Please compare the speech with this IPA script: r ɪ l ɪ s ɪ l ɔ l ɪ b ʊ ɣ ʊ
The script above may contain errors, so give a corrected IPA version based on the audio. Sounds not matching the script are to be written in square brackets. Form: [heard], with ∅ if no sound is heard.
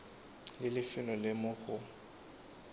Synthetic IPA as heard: [l] ɪ l ɪ [f] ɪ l ɔ l ɪ [m] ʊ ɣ ʊ